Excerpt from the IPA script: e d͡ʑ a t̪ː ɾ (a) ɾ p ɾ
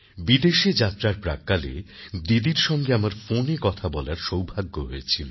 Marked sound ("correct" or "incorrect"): correct